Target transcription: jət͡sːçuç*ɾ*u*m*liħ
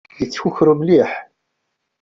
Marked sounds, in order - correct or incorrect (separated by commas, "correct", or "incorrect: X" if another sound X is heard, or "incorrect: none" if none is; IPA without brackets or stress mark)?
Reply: correct, correct